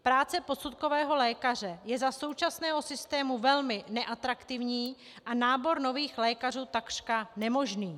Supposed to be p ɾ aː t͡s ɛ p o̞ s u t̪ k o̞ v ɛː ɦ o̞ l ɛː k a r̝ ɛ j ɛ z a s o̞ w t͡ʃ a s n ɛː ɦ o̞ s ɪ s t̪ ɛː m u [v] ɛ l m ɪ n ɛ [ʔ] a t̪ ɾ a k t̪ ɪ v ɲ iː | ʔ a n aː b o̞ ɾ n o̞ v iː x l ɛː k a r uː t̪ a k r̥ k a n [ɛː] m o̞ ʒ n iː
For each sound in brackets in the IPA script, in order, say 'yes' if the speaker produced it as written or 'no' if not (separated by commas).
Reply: yes, yes, no